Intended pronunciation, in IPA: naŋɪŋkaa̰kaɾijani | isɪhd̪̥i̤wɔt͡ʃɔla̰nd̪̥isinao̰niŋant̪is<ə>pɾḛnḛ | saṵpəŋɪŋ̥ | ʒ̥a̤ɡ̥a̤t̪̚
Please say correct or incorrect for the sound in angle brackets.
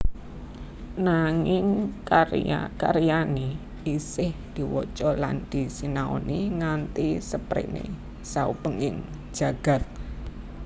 correct